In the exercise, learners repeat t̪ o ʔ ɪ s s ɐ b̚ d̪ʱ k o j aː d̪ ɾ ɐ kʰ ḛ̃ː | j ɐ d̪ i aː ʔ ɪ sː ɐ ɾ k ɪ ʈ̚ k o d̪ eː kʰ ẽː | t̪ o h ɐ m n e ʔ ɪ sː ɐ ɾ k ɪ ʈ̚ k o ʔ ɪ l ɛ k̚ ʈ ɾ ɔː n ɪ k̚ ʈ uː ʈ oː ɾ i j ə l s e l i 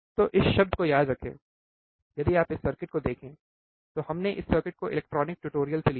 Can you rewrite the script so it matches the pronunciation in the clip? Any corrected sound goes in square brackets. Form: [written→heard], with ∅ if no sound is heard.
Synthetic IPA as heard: t̪ o ʔ ɪ s [s→ʃ] ɐ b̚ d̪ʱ k o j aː d̪ ɾ ɐ kʰ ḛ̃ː | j ɐ d̪ i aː [ʔ→p] ɪ sː ɐ ɾ k ɪ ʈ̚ k o d̪ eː kʰ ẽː | t̪ o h ɐ m n e ʔ ɪ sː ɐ ɾ k ɪ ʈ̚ k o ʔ ɪ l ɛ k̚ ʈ ɾ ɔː n ɪ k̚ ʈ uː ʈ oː ɾ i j ə l s e l i

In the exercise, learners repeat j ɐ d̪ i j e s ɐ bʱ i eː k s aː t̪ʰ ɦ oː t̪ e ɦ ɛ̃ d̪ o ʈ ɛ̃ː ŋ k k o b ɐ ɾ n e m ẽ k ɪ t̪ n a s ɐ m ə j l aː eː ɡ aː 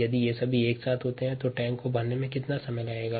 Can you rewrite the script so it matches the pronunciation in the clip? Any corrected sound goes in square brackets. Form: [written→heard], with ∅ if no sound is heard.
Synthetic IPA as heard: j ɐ d̪ i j e s ɐ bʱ i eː k s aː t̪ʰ ɦ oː t̪ e ɦ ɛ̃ [d̪→t̪] o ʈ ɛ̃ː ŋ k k o b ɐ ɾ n e m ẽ k ɪ t̪ n a s ɐ m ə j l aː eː ɡ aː

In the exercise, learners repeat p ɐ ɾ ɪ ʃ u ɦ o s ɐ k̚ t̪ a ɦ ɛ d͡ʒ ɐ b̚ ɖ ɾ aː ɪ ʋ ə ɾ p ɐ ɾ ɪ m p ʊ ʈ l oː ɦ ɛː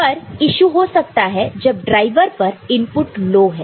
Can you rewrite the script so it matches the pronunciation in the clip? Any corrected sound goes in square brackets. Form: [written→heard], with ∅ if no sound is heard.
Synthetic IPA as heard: p ɐ ɾ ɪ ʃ u ɦ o s ɐ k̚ t̪ a ɦ ɛ d͡ʒ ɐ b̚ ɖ ɾ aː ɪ ʋ ə ɾ p ɐ ɾ ɪ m p ʊ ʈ l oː ɦ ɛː

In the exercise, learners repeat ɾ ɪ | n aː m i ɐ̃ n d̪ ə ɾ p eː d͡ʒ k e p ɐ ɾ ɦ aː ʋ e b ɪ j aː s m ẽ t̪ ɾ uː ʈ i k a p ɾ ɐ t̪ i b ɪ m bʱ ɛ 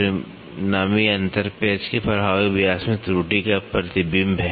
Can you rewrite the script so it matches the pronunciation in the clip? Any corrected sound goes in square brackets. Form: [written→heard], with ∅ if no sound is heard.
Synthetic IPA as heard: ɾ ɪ | n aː m i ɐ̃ n [d̪→t̪] ə ɾ p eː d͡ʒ k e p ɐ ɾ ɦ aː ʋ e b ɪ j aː s m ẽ t̪ ɾ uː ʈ i k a p ɾ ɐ t̪ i b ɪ m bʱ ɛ

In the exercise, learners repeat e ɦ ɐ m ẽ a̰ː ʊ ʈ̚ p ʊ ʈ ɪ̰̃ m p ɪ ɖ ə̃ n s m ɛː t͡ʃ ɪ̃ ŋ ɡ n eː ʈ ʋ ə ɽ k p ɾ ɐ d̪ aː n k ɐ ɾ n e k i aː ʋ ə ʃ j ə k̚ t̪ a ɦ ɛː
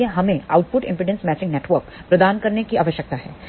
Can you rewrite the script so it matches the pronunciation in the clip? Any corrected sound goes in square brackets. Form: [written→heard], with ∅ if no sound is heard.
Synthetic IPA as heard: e ɦ ɐ m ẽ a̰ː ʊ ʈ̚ p ʊ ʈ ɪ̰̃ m p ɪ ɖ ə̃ n s m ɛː t͡ʃ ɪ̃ ŋ ɡ n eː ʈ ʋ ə [ɽ→ɾ] k p ɾ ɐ d̪ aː n k ɐ ɾ n e k i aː ʋ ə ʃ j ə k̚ t̪ a ɦ ɛː

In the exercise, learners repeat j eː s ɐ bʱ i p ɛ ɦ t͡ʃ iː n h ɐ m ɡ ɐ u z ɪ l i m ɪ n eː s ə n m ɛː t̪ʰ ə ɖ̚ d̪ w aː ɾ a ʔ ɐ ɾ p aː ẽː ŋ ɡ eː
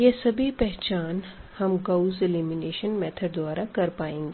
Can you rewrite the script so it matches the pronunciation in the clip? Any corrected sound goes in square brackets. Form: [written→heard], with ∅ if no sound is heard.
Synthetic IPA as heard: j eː s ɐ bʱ i p ɛ ɦ t͡ʃ [iː→aː] n h ɐ m ɡ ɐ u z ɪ l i m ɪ n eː [s→ʃ] ə n m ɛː t̪ʰ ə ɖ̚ d̪ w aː ɾ a [ʔ→k] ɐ ɾ p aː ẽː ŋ ɡ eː

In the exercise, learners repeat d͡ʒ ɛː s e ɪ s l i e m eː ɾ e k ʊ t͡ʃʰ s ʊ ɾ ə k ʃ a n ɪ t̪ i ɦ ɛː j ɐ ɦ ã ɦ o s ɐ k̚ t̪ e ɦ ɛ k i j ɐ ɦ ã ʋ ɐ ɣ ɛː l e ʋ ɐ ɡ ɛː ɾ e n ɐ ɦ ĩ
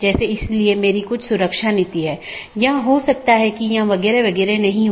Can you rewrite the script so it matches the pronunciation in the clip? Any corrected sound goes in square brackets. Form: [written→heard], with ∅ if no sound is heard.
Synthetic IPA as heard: d͡ʒ ɛː s e ɪ s l i e m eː ɾ [e→i] k ʊ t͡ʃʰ s ʊ ɾ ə k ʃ a n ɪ t̪ i ɦ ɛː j ɐ ɦ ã ɦ o s ɐ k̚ t̪ [e→a] ɦ ɛ k i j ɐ ɦ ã ʋ ɐ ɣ ɛː [l→ɾ] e ʋ ɐ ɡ ɛː ɾ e n ɐ ɦ ĩ

